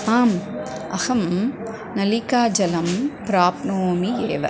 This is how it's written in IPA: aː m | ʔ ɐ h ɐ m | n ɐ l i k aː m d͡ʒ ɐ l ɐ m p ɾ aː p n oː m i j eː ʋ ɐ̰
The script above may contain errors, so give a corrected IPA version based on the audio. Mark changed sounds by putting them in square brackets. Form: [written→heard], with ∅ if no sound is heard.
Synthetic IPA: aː m | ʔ ɐ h ɐ m | n ɐ l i k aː [m→∅] d͡ʒ ɐ l ɐ m p ɾ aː p n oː m i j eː ʋ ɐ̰

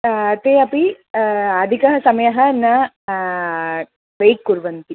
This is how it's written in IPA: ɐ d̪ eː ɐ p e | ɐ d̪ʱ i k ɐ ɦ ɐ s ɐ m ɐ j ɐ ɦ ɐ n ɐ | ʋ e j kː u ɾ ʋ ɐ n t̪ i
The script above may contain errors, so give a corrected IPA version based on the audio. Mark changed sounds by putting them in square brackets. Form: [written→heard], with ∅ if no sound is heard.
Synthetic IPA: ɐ [d̪→t̪] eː ɐ p [e→i] | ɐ d̪ʱ i k ɐ ɦ ɐ s ɐ m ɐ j ɐ ɦ ɐ n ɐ | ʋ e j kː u ɾ ʋ ɐ n t̪ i

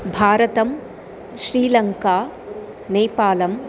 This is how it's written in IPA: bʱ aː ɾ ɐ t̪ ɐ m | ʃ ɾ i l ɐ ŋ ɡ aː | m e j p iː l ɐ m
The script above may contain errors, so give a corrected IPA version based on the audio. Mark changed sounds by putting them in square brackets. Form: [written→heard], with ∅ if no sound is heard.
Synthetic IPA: bʱ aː ɾ ɐ t̪ ɐ m | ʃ ɾ [i→iː] l ɐ ŋ [ɡ→k] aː | [m→n] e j p [iː→aː] l ɐ m

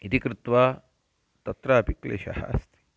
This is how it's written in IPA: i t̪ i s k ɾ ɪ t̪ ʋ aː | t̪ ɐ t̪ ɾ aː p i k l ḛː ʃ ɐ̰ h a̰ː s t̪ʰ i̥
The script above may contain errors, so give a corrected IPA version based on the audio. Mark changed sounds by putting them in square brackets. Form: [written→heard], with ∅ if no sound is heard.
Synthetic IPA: i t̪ i [s→∅] k ɾ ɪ t̪ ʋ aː | t̪ ɐ t̪ ɾ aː p i k l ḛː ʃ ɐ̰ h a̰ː s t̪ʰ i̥

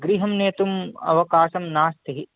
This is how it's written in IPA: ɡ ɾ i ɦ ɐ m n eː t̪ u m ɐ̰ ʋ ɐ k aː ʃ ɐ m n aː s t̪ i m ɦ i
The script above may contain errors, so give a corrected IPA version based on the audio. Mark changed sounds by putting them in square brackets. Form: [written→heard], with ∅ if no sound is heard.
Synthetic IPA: ɡ ɾ i ɦ ɐ m n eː t̪ u m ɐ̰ ʋ ɐ k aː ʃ ɐ m n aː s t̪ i [m→∅] ɦ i

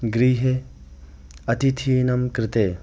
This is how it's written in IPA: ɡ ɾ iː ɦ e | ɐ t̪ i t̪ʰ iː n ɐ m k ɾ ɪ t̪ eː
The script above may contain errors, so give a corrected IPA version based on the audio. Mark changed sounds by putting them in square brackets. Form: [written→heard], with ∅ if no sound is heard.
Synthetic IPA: ɡ ɾ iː ɦ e | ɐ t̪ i t̪ʰ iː n ɐ m k ɾ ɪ t̪ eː

